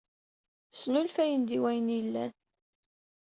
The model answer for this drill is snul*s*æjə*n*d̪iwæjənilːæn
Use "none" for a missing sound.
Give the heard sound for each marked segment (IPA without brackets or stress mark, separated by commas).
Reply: f, n